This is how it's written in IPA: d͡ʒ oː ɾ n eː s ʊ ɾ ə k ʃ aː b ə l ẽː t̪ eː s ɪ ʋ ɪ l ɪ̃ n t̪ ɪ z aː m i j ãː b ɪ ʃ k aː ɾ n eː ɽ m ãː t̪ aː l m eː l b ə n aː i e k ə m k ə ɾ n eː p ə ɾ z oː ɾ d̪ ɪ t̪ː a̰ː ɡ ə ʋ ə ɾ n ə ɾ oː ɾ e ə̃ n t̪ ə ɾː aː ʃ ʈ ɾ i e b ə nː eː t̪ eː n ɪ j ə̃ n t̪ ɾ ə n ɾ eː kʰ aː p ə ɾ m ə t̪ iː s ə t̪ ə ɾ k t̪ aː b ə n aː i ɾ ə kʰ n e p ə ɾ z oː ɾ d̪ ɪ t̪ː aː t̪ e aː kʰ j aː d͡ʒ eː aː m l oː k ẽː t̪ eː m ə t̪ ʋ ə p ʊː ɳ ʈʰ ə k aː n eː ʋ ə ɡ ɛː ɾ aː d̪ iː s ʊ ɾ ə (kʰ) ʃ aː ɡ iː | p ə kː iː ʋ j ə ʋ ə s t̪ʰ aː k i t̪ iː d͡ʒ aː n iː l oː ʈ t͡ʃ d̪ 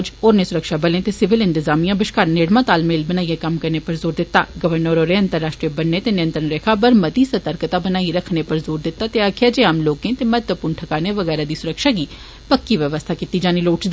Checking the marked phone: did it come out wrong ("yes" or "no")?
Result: yes